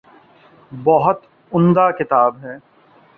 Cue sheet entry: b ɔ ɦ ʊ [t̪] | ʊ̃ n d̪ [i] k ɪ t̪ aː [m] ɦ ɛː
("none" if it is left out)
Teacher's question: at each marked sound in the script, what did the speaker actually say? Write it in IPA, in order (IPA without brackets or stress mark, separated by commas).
t̪, a, b